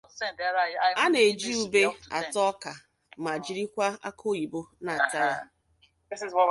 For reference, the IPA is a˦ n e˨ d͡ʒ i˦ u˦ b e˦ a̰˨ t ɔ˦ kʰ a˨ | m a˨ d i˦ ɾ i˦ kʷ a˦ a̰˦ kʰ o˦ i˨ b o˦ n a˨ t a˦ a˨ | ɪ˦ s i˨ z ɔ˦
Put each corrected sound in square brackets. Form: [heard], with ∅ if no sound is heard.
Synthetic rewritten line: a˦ n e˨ d͡ʒ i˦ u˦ b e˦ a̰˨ t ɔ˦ [k] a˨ | m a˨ [d͡ʒ] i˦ ɾ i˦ kʷ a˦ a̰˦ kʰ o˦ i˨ b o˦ n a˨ t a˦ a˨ | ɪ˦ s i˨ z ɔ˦